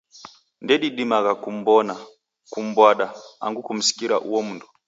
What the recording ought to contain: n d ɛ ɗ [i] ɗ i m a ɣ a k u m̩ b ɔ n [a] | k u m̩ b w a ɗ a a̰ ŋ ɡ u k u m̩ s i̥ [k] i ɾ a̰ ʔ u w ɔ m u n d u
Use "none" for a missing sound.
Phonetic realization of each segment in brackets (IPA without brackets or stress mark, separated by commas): i, a, k